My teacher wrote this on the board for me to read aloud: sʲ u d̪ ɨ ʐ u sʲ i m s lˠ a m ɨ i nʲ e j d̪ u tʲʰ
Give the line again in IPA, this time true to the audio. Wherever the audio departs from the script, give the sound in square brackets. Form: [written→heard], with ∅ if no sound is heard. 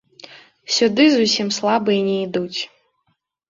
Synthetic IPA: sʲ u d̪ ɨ [ʐ→z] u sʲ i m s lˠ a [m→b] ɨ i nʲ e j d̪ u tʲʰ